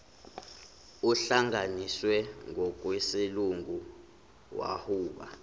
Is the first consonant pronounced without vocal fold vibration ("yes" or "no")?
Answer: yes